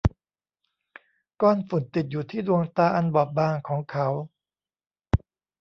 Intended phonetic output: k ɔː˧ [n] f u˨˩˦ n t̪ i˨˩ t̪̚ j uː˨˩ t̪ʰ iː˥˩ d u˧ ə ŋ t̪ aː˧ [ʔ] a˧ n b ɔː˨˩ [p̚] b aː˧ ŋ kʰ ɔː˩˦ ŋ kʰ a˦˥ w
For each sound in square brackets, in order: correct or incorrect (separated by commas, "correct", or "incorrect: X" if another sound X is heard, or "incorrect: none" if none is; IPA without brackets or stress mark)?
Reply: correct, correct, correct